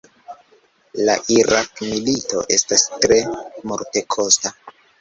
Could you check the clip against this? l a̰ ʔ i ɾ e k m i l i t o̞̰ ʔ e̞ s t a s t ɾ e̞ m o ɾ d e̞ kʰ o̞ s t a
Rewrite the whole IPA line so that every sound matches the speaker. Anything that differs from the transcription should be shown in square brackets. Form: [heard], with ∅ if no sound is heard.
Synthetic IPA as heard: l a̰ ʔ i ɾ [a] k m i l i t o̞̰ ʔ e̞ s t a s t ɾ e̞ m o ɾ [t] e̞ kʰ o̞ s t a

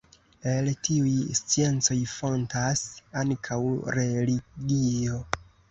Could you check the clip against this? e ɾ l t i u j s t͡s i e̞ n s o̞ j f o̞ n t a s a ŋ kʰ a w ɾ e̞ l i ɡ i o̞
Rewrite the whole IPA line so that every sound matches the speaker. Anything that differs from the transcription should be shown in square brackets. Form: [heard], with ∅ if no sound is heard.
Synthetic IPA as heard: e [∅] l t i u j s t͡s i e̞ n [t͡s] o̞ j f o̞ n t a s a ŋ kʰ a w ɾ e̞ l i ɡ i o̞

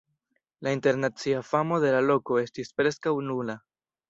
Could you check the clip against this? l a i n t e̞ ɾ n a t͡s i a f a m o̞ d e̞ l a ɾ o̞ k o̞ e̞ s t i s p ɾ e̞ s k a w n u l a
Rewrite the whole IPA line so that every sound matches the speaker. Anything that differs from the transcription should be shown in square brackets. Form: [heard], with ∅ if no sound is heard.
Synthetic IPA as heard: l a i n t e̞ ɾ n a t͡s i a f a m o̞ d e̞ l a [l] o̞ k o̞ e̞ s t i s p ɾ e̞ s k a w n u l a

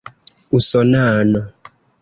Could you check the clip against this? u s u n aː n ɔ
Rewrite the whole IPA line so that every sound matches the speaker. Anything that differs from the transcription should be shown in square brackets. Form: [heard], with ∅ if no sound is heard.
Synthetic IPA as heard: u s [ɔ] n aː n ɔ

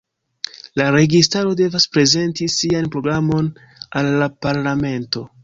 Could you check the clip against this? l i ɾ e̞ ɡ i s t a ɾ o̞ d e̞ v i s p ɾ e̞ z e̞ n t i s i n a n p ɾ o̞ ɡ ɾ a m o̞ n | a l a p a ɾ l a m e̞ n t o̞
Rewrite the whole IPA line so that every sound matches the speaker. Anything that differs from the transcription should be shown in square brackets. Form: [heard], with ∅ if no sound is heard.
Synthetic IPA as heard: l [a] ɾ e̞ ɡ i s t a ɾ o̞ d e̞ v [a] s p ɾ e̞ z e̞ n t i s i [∅] a n p ɾ o̞ ɡ ɾ a m o̞ n | a [lː] a p a ɾ l a m e̞ n t o̞

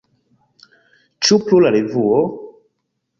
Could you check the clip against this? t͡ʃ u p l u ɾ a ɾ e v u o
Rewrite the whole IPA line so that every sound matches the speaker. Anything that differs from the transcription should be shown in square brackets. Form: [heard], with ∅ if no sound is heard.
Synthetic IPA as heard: t͡ʃ u p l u [l] a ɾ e v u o

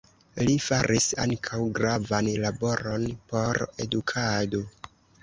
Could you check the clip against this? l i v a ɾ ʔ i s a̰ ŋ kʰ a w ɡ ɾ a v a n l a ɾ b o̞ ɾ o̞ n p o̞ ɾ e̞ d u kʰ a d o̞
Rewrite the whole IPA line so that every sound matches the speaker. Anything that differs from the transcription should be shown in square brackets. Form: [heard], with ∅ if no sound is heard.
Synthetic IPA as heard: l i [f] a ɾ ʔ i s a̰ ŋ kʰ a w ɡ ɾ a v a n l a [∅] b o̞ ɾ o̞ n p o̞ ɾ e̞ d u kʰ a d o̞

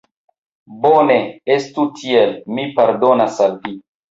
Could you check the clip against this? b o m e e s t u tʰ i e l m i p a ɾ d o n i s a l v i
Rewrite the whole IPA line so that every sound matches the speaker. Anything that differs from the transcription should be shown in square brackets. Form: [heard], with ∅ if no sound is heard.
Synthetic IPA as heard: b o [n] e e s t u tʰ i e l m i p a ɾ d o n [a] s a l v i

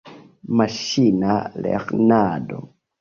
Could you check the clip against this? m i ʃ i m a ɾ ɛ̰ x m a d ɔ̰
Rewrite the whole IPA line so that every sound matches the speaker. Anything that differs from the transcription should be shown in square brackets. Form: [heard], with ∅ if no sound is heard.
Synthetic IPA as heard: m [a] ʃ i [n] a [l] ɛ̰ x [n] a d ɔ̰

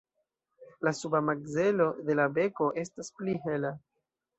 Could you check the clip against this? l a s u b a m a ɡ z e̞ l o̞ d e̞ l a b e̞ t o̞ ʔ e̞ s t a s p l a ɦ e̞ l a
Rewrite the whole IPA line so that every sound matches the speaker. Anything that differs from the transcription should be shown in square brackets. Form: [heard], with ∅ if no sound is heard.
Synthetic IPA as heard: l a s u b a m a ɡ z e̞ l o̞ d e̞ l a b e̞ [k] o̞ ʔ e̞ s t a s p l [i] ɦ e̞ l a

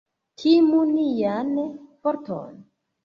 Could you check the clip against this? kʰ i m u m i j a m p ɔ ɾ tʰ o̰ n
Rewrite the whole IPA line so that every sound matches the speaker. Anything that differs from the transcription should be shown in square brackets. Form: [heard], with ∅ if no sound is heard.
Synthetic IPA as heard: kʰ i m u [n] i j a [n] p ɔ ɾ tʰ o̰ n

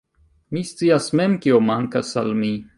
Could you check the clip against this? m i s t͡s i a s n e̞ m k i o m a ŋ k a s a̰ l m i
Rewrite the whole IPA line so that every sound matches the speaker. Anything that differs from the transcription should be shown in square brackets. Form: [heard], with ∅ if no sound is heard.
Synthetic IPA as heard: m i s t͡s i a s [m] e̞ m k i o m a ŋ k a s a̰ l m i

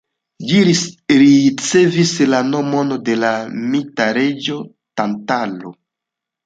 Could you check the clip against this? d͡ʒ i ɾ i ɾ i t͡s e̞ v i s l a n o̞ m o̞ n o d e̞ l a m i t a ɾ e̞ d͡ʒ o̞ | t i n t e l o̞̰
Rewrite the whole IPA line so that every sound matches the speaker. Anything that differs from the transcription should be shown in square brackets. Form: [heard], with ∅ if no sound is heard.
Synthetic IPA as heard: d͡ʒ i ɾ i ɾ i t͡s e̞ v i s l a n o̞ m o̞ n o d e̞ l a m i t a ɾ e̞ d͡ʒ o̞ | t [a] n t [a] l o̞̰

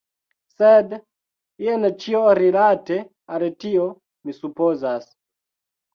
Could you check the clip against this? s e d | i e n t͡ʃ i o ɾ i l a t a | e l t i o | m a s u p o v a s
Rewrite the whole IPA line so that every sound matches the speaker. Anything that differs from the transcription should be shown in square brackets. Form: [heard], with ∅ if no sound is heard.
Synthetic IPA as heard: s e d | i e n t͡ʃ i o ɾ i l a t [e] | [a] l t i o | m [i] s u p o [z] a s

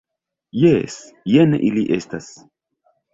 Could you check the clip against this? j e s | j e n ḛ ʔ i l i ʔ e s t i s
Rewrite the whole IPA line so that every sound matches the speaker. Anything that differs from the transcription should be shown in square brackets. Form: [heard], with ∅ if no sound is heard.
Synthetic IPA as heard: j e s | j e n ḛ ʔ i l i ʔ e s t [a] s

